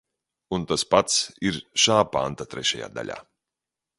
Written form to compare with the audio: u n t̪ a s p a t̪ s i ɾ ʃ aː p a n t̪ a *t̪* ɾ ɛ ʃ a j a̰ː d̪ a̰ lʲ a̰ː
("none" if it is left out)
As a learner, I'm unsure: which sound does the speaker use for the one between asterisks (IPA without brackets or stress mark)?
t̪